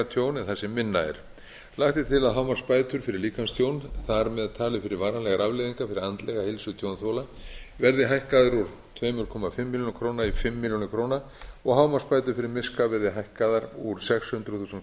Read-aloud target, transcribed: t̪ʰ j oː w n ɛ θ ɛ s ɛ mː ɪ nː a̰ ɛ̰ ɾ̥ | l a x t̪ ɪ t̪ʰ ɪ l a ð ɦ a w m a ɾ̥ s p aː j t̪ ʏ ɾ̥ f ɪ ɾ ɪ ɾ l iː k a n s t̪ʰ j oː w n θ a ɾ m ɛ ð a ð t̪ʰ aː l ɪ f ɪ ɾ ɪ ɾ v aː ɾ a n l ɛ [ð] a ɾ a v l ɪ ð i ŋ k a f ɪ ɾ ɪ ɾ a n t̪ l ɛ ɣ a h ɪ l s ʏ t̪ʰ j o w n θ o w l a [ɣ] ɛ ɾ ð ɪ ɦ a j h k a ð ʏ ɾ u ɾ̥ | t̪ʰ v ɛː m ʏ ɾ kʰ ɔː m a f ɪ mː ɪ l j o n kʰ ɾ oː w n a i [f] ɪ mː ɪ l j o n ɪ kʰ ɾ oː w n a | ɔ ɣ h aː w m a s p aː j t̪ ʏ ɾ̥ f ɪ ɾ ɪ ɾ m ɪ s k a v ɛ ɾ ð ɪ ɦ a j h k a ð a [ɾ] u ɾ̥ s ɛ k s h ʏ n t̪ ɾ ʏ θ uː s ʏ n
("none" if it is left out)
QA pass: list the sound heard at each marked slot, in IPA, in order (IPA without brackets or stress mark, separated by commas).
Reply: ɣ, v, f, ɾ